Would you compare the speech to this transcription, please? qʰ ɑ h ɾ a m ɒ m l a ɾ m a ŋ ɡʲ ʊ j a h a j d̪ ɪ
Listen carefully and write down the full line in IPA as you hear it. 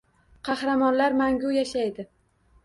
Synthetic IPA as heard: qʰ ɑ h ɾ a m ɒ n l a ɾ m a ŋ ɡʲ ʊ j a ʃ a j d̪ ɪ